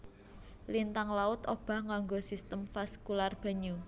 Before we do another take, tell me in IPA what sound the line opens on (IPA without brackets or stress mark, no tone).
l